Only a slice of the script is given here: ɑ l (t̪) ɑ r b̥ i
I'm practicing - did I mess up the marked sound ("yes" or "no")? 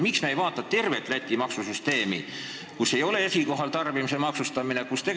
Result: no